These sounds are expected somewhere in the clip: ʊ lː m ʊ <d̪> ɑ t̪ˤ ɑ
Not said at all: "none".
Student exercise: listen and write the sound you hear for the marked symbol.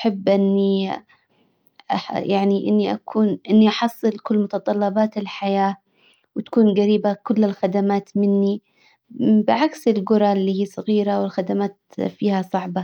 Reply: t̪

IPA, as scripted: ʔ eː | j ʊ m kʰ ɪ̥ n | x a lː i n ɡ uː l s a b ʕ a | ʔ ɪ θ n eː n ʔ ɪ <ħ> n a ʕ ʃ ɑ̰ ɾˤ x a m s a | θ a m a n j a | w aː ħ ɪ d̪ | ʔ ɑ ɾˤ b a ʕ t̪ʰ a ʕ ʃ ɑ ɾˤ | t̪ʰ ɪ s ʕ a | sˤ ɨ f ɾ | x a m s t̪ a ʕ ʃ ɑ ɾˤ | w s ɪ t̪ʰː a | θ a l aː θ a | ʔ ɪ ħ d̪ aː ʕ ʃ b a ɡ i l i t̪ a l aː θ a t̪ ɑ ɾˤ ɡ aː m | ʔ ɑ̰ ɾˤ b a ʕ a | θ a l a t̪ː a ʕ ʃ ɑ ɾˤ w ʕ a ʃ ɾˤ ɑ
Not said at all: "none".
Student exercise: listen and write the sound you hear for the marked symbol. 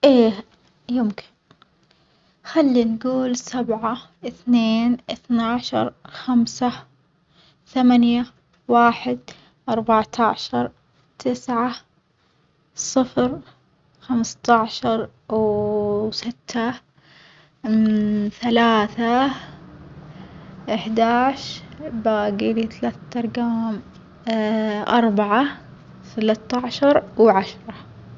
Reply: θ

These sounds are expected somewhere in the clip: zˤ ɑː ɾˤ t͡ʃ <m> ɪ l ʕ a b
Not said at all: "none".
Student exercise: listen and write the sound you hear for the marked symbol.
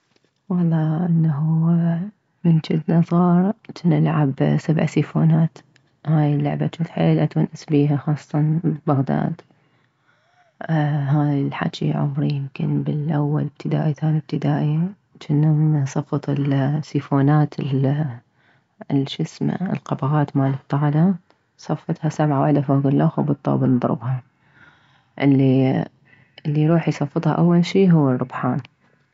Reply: n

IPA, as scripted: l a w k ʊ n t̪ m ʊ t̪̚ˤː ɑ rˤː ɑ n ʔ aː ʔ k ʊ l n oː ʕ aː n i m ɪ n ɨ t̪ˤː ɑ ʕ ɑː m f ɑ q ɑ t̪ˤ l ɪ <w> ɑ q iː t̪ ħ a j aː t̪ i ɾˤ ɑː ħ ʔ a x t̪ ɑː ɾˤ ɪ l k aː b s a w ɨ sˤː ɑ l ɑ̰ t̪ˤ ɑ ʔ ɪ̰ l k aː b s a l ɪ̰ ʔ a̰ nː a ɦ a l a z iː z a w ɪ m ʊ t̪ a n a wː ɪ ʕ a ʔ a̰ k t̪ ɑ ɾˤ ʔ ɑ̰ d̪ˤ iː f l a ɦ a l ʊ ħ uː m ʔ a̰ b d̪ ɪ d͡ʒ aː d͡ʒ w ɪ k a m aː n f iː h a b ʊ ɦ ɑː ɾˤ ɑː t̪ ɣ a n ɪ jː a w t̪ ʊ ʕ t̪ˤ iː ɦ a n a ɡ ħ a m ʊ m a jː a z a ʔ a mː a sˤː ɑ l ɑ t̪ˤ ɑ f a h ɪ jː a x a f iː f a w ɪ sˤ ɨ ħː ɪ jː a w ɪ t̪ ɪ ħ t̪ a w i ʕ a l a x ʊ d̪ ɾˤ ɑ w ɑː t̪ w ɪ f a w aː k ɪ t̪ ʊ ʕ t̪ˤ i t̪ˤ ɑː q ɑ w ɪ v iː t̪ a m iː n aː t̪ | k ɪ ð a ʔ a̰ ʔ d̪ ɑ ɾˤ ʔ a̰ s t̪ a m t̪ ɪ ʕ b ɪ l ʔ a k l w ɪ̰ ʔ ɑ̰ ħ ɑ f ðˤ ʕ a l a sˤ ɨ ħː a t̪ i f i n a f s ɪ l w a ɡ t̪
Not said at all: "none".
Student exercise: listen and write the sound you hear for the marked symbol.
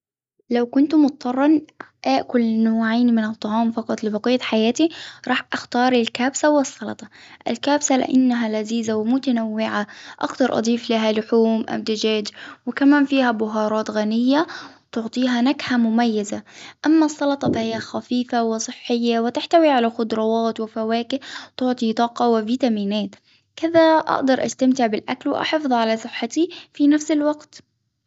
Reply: b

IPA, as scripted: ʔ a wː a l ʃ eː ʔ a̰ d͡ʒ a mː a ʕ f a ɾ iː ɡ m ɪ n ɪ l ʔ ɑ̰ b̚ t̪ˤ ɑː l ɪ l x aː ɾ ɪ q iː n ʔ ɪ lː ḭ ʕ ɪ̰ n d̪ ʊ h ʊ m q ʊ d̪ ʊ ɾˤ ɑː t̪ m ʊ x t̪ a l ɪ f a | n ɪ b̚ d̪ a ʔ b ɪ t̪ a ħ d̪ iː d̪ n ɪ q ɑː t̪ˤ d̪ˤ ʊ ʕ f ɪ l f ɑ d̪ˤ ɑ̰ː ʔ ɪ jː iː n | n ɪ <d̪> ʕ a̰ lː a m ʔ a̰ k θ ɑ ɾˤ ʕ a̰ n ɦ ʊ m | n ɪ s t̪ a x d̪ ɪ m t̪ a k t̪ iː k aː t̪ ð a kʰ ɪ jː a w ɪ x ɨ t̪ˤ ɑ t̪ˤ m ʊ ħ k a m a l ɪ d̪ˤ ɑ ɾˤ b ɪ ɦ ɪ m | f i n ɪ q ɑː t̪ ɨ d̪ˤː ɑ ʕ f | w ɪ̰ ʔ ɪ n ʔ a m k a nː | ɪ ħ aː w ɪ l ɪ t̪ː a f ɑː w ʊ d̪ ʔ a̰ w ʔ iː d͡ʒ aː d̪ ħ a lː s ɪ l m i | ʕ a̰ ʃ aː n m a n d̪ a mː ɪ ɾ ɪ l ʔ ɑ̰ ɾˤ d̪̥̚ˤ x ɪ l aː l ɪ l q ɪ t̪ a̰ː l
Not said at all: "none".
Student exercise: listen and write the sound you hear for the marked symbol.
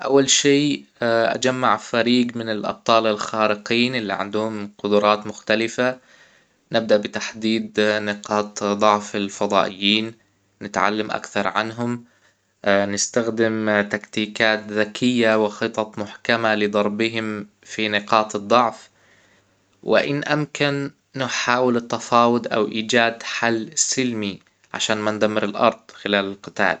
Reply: t̪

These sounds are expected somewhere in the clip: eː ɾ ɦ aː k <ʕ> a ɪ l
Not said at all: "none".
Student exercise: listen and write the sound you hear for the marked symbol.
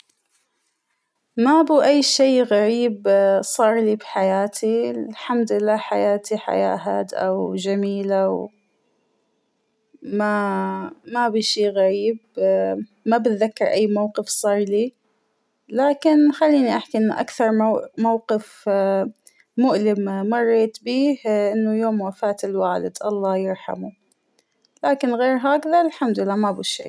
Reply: ð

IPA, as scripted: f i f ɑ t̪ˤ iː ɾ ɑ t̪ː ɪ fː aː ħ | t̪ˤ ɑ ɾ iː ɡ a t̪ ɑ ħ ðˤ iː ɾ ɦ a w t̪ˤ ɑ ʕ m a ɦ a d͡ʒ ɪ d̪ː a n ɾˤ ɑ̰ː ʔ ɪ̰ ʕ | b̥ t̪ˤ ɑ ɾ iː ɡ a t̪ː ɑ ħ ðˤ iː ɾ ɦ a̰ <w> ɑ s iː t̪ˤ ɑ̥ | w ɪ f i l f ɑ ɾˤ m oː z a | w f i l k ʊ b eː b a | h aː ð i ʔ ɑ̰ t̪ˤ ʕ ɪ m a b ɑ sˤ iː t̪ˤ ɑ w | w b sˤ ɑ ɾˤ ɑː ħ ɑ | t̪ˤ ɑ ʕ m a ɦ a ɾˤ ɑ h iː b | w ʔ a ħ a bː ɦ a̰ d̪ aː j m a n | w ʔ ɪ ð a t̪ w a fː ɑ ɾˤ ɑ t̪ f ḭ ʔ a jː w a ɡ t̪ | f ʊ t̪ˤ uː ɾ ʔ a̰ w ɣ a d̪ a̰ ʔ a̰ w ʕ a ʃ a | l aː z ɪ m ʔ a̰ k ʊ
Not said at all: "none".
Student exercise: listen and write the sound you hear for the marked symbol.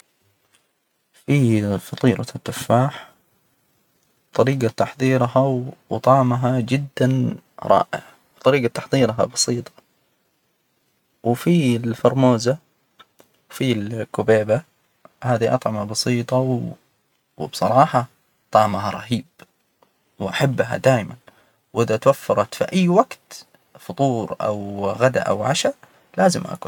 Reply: b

